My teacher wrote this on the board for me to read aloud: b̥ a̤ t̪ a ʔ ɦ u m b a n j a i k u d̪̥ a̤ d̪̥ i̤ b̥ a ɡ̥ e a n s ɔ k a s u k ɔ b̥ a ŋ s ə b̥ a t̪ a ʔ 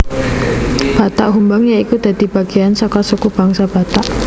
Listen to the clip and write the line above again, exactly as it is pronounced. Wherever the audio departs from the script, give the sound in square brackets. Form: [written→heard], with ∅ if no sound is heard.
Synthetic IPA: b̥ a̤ t̪ a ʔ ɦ u m b a [n→ŋ] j a i k u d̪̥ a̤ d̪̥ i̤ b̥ a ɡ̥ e a n s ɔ k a s u k [ɔ→u] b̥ a ŋ s [ə→a] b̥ a t̪ a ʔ